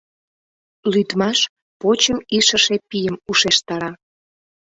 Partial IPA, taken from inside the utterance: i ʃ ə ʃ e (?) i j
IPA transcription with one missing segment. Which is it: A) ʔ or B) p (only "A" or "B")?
B